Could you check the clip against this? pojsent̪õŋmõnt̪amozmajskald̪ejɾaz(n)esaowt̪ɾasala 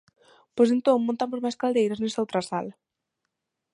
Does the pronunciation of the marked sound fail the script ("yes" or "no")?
no